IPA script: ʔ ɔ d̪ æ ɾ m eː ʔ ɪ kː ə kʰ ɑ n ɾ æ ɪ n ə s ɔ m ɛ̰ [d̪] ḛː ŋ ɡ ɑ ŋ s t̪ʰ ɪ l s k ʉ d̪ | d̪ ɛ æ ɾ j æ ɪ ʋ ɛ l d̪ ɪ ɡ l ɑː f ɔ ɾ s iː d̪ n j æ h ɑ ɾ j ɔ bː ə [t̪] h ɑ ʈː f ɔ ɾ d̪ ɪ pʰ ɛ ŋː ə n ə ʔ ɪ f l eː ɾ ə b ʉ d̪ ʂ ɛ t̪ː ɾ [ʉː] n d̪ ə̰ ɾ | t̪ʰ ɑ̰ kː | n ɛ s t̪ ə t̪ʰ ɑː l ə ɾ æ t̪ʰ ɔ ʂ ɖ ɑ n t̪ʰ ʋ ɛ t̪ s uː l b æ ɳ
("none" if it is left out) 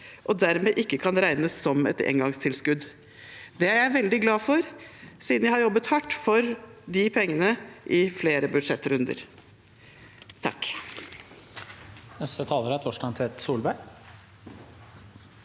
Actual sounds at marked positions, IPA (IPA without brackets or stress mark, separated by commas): t̪, t̪, ʉ